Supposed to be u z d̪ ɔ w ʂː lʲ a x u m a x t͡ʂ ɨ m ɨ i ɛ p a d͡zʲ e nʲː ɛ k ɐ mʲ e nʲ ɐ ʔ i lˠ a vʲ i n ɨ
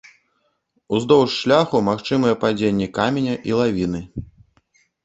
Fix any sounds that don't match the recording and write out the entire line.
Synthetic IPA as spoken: u z d̪ ɔ w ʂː lʲ a x u m a x t͡ʂ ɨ m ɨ j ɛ p a d͡zʲ e nʲː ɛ k a mʲ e nʲ ɐ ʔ i lˠ a vʲ i n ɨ